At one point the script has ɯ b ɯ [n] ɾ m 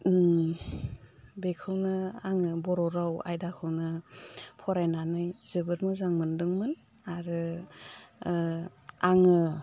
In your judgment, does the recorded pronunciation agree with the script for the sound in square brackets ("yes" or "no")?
no